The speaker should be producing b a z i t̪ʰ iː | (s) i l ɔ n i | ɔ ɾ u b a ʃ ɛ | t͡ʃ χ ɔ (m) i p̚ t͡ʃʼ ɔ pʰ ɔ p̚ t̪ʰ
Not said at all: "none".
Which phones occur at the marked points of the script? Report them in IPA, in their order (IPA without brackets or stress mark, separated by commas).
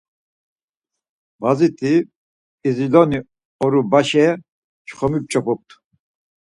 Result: z, m